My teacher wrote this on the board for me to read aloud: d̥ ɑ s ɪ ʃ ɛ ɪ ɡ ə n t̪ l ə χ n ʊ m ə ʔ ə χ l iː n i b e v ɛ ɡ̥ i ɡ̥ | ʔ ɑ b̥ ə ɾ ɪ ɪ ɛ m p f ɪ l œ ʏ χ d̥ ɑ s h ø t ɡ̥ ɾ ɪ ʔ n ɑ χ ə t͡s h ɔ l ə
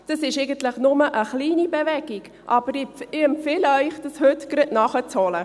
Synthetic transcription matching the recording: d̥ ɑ s ɪ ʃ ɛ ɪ ɡ ə n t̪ l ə χ n ʊ m ə ʔ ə χ l iː n i b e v ɛ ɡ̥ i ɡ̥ | ʔ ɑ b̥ ə ɾ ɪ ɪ ɛ m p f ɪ l œ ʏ χ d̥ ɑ s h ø t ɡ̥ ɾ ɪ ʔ n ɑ χ ə t͡s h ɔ l ə